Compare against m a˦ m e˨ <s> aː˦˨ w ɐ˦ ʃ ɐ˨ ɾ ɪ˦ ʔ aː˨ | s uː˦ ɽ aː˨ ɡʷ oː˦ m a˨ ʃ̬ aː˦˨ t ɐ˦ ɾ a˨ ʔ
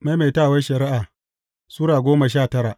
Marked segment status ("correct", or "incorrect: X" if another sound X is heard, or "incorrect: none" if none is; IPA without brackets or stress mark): incorrect: t